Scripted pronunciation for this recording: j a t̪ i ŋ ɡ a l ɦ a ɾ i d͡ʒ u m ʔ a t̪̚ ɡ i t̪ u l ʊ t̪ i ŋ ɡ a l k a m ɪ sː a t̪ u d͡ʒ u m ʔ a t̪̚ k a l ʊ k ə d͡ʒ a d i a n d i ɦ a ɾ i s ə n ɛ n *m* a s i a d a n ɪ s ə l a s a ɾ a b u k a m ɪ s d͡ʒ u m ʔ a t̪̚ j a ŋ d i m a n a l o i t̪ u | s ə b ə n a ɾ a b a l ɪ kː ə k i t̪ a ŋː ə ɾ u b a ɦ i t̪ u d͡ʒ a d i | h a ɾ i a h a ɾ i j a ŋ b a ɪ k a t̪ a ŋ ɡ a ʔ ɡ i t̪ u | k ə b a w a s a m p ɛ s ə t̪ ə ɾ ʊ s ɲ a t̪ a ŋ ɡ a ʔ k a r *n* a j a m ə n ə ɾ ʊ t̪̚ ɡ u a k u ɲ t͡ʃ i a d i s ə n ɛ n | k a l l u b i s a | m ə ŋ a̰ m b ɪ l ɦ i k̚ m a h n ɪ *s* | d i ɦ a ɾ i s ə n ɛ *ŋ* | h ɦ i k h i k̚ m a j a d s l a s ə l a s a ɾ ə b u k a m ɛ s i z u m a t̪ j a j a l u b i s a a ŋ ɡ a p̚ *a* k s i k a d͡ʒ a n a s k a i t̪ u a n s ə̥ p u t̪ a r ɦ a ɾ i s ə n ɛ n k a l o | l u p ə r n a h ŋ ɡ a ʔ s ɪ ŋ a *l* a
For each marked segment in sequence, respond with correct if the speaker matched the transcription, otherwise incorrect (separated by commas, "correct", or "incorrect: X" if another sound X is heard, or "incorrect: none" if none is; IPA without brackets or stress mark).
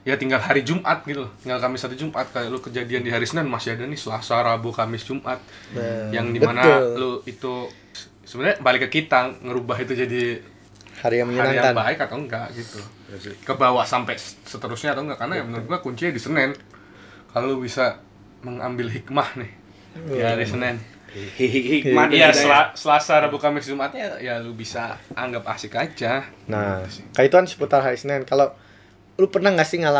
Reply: correct, correct, incorrect: h, incorrect: n, correct, correct